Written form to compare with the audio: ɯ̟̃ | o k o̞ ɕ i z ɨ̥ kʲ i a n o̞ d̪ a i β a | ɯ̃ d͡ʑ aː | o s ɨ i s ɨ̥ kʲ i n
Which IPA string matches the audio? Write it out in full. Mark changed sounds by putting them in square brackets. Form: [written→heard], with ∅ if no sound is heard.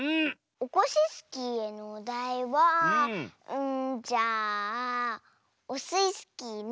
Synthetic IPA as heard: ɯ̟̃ | o k o̞ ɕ i [z→s] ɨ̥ kʲ i [a→e] n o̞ d̪ a i β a | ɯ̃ d͡ʑ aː | o s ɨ i s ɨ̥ kʲ i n